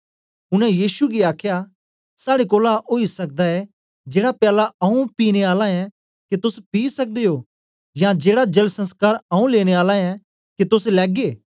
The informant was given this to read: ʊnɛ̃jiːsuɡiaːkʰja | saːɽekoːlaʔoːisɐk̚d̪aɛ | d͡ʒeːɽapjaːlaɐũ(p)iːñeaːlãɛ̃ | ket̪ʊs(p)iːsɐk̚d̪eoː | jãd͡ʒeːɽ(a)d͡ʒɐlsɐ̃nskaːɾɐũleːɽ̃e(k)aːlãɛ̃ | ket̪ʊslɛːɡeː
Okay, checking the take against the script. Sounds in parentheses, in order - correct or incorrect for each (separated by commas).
correct, correct, correct, incorrect